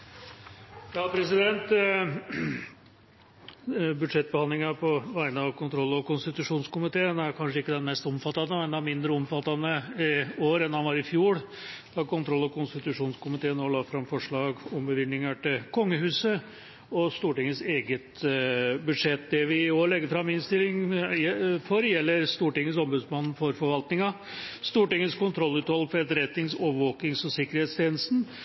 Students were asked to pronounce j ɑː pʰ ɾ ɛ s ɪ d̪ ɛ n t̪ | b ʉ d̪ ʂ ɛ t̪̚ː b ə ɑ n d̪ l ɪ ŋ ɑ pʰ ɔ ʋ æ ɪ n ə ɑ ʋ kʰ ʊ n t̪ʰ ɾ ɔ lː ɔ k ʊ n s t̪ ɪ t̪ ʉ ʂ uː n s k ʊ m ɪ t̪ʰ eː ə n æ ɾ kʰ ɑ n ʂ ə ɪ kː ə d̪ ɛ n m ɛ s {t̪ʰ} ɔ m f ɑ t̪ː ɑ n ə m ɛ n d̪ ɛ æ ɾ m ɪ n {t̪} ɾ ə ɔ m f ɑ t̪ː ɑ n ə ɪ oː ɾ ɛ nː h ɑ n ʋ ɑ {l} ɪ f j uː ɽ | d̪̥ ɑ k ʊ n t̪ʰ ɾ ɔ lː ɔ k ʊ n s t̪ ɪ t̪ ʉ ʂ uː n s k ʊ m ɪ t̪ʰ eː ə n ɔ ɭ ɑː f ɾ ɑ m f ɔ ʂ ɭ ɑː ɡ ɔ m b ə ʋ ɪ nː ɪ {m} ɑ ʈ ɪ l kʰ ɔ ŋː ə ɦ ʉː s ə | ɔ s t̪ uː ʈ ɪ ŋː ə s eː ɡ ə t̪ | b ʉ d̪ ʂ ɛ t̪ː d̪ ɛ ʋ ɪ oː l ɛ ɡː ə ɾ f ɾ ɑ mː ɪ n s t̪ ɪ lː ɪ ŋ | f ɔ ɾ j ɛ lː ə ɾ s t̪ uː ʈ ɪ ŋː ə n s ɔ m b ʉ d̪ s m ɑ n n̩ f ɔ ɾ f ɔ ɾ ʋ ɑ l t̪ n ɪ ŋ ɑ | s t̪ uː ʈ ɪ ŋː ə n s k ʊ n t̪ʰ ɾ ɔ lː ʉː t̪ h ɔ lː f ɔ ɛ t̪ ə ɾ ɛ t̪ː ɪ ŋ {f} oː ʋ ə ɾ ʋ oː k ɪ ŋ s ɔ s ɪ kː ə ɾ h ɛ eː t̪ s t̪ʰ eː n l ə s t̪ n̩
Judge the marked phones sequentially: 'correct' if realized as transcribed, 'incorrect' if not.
incorrect: t̪, incorrect: d̪, incorrect: ɾ, incorrect: ŋ, incorrect: s

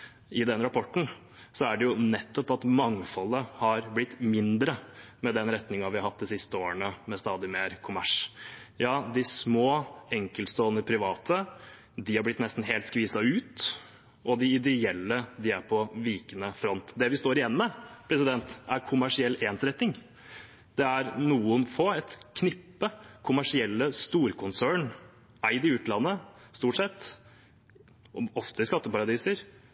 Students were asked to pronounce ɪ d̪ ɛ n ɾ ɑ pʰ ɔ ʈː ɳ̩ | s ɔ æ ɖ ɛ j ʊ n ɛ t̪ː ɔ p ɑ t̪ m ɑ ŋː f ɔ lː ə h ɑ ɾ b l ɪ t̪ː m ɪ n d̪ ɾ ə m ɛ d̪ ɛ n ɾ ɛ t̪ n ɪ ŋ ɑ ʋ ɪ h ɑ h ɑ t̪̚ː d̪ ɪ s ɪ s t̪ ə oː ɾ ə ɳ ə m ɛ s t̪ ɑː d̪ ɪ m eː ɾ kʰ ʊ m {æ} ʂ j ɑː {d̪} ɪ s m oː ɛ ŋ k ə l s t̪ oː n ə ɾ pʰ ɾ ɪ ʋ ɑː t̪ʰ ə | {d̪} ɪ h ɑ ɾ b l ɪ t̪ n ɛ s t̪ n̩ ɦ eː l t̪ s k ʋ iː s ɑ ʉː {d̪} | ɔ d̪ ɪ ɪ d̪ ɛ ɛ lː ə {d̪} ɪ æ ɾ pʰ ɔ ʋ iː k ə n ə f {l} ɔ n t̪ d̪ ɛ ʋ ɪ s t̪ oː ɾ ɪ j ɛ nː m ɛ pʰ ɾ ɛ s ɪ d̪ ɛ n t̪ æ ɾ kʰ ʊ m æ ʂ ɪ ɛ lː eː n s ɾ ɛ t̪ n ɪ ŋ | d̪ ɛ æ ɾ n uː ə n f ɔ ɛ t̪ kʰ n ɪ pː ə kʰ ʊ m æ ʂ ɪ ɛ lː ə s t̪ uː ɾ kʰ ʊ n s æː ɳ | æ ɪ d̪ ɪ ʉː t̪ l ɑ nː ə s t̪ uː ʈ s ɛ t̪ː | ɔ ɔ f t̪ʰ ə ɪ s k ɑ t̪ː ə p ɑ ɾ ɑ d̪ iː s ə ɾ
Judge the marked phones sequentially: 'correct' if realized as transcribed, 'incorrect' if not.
correct, correct, correct, incorrect: t̪, correct, incorrect: ɾ

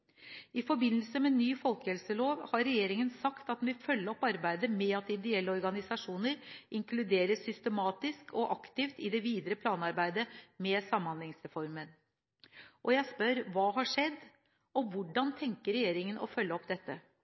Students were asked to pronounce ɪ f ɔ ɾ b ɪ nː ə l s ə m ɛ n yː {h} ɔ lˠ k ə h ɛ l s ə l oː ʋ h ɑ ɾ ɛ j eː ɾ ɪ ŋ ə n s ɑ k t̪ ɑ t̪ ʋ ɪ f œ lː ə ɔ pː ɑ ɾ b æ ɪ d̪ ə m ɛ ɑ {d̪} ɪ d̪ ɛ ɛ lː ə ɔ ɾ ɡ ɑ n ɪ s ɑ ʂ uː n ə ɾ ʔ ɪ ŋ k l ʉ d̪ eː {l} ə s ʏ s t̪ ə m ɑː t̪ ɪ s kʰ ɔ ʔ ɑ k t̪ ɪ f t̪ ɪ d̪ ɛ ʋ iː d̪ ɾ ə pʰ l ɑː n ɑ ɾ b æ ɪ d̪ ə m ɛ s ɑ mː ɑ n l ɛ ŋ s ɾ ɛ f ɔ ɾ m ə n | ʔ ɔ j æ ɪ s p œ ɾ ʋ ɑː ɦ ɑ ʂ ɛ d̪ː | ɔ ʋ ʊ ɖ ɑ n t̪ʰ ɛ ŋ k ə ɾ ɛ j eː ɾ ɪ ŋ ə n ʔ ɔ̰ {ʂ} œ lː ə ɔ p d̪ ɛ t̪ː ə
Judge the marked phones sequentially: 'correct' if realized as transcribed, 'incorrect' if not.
incorrect: f, incorrect: t̪, incorrect: ɾ, incorrect: f

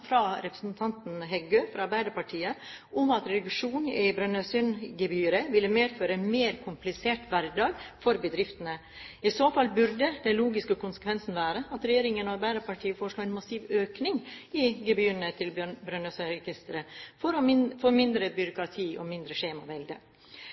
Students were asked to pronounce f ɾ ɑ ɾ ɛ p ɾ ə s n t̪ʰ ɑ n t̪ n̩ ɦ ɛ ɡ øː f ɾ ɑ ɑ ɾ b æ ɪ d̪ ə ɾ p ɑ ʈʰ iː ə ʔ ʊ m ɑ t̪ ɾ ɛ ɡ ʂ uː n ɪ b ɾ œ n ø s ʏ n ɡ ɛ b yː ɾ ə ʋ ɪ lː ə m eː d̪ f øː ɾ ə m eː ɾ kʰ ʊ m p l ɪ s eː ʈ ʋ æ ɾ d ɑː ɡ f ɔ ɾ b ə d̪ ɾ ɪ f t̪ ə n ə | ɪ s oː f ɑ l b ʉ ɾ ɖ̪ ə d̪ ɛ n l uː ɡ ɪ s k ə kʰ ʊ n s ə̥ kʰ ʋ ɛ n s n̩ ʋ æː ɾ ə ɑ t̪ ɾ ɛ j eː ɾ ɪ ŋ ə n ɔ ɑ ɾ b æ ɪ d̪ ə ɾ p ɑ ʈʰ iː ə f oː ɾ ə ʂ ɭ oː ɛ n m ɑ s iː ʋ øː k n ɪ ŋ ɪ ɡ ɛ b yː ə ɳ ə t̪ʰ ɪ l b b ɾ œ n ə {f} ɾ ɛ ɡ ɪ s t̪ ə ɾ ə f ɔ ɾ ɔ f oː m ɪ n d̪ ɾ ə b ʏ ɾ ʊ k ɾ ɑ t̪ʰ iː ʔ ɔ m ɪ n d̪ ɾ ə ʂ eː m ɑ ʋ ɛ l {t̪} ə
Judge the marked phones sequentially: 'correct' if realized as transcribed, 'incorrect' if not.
incorrect: s, incorrect: d̪

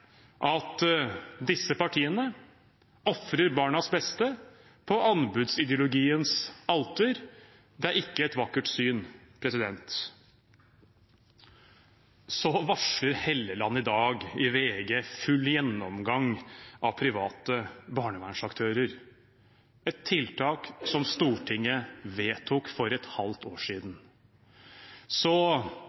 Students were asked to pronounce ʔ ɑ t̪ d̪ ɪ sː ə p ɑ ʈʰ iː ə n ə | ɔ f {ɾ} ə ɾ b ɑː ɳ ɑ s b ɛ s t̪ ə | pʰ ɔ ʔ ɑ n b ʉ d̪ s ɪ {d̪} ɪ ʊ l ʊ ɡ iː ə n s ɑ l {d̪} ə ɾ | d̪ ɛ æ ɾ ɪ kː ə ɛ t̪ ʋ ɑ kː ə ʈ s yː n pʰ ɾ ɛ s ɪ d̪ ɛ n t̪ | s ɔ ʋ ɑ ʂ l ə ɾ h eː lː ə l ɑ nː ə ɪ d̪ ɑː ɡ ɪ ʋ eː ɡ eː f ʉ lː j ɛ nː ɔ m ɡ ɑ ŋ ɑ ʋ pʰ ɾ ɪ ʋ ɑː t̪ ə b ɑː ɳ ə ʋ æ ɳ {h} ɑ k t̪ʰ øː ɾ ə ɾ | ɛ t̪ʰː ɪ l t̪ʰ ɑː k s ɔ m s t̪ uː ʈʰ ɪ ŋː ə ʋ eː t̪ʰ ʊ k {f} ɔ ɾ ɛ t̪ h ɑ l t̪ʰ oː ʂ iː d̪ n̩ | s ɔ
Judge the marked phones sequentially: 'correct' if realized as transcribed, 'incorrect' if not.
correct, correct, incorrect: t̪, incorrect: ʂ, correct

